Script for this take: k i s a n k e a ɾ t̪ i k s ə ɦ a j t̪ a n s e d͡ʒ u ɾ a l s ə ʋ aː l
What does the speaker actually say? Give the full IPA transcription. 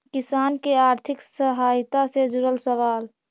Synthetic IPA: k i s a n k e a ɾ t̪ʰ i k s ə ɦ a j t̪ a s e d͡ʒ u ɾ ə l s ə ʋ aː l